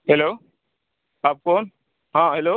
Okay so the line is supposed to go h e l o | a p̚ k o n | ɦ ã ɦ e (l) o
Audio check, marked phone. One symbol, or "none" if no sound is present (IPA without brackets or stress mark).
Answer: l